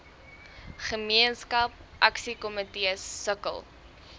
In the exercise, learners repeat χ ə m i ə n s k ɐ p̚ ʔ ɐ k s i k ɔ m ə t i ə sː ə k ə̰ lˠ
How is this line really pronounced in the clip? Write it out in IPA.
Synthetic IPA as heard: χ ə m i ə n s k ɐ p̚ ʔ ɐ k s i k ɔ m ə t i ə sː ə k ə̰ lˠ